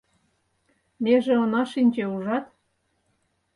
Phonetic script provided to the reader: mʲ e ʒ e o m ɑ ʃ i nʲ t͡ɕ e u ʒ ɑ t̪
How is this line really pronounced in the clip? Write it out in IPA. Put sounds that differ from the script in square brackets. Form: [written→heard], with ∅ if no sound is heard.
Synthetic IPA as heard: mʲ e ʒ e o [m→n] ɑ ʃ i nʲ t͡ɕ e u ʒ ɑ t̪

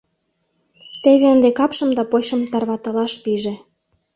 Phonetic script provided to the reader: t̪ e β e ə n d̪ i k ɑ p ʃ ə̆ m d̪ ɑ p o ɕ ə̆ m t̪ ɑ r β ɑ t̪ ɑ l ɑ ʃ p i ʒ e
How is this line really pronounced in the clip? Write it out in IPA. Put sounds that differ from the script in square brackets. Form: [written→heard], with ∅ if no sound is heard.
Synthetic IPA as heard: t̪ e β e ə n d̪ [i→e] k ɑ p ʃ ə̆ m d̪ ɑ p o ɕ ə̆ m t̪ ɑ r β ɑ t̪ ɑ l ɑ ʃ p i ʒ e

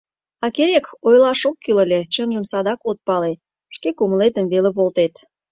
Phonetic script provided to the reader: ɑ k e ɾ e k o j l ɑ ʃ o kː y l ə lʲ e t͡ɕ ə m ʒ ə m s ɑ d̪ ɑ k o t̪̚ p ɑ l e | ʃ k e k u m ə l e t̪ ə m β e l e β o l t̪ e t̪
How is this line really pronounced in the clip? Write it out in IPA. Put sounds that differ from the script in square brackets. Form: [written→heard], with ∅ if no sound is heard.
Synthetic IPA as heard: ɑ k e ɾ e k o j l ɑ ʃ o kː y l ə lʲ e t͡ɕ ə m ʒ ə m s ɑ d̪ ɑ k o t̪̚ p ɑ l e | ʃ k e k u m ə l e t̪ ə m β e l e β o l t̪ e t̪

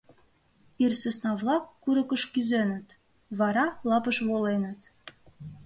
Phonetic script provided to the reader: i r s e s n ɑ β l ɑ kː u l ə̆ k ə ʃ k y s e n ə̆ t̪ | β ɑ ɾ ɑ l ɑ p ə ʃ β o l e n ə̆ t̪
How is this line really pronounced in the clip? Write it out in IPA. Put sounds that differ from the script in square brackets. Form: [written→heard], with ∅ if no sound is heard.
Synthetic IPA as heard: i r s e s n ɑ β l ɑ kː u [l→ɾ] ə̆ k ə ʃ k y [s→z] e n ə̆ t̪ | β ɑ ɾ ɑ l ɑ p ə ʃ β o l e n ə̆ t̪

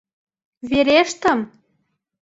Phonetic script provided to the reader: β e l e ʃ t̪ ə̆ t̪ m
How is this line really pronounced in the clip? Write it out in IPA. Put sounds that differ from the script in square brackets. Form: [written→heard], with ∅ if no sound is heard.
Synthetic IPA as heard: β e [l→ɾ] e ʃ t̪ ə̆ [t̪→∅] m

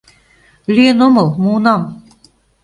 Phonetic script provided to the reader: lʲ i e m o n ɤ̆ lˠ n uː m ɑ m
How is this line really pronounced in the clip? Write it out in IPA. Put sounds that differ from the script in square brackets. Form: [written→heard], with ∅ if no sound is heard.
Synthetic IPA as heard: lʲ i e [m→n] o [n→m] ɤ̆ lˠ [n→m] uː [m→n] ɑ m

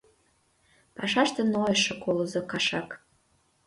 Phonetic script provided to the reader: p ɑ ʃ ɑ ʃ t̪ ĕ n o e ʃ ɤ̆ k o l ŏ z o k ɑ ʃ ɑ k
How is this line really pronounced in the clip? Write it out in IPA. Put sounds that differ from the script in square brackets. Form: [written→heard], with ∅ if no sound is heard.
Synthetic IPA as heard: p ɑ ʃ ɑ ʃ t̪ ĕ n o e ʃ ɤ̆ k o l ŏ z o k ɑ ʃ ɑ k

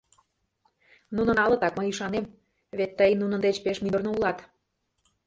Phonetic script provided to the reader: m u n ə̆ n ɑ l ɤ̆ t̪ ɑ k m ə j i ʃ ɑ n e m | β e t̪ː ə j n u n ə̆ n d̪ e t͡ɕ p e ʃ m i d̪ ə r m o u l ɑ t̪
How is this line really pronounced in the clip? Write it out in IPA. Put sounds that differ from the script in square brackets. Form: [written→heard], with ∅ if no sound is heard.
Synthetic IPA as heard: [m→n] u n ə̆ n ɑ l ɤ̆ t̪ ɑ k m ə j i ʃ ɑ n e m | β e t̪ː ə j n u n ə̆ n d̪ e t͡ɕ p e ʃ m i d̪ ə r [m→n] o u l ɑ t̪

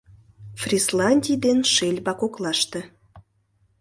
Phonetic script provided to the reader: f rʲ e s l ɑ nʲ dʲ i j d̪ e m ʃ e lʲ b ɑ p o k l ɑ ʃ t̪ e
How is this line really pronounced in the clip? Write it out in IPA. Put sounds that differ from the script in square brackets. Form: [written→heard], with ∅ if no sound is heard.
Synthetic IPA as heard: f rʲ [e→i] s l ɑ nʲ dʲ i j d̪ e [m→n] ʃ e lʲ b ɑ [p→k] o k l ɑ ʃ t̪ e

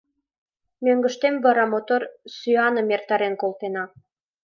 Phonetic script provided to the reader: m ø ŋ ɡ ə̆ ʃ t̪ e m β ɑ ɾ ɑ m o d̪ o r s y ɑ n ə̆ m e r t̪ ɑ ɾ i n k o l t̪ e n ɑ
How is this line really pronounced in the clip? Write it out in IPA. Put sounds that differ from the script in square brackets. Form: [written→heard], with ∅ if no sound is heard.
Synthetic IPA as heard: m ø ŋ ɡ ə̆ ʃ t̪ e m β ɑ ɾ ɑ m o [d̪→t̪] o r s y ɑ n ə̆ m e r t̪ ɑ ɾ [i→e] n k o l t̪ e n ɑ

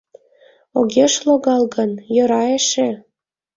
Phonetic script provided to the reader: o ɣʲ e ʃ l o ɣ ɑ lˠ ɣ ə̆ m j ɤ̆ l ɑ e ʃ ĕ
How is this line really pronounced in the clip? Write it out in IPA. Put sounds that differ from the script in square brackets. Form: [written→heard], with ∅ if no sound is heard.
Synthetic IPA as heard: o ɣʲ e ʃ l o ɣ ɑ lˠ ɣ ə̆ [m→n] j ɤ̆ [l→ɾ] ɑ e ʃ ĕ

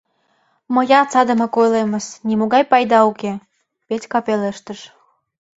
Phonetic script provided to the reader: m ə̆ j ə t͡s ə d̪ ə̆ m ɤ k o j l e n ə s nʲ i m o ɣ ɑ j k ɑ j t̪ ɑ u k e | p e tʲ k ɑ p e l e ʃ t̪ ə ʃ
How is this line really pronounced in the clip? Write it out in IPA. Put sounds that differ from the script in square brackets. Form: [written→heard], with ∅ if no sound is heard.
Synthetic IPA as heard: m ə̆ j [ə→ɑ] t͡s [ə→ɑ] d̪ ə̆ m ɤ k o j l e [n→m] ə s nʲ i m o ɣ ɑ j [k→p] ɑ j [t̪→d̪] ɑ u k e | p e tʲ k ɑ p e l e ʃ t̪ ə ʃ

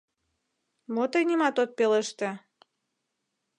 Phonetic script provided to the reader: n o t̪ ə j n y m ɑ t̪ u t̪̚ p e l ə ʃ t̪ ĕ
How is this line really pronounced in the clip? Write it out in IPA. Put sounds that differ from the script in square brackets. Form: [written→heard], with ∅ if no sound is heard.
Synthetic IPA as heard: [n→m] o t̪ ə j n [y→i] m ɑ t̪ [u→o] t̪̚ p e l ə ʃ t̪ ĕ

